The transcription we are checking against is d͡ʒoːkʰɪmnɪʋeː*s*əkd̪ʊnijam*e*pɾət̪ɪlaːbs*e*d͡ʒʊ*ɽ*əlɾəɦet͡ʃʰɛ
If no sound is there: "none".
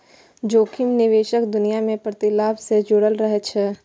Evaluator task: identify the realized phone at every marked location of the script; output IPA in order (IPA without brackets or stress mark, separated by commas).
ʃ, ẽ, e, ɽ